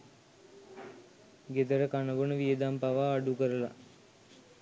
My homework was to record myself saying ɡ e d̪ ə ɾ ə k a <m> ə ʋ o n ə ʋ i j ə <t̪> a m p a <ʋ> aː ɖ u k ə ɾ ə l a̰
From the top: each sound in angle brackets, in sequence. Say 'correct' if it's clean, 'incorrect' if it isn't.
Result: incorrect: n, incorrect: d̪, correct

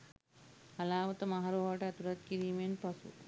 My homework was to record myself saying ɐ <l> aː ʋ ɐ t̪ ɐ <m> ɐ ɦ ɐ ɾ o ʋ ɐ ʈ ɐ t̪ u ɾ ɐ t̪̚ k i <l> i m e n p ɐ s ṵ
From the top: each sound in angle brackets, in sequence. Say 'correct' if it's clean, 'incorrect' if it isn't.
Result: correct, correct, incorrect: ɾ

